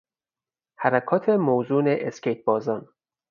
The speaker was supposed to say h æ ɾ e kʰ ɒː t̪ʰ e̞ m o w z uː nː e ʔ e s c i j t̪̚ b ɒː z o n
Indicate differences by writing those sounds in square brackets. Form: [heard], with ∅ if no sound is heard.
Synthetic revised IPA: h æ ɾ [æ] kʰ ɒː t̪ʰ e̞ m o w z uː [n] e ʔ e s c [e] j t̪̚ b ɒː z [ɒ] n